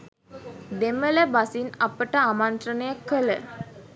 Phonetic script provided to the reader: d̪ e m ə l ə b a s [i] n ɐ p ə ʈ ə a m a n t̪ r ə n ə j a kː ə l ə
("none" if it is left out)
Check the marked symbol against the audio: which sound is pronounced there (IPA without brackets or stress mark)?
i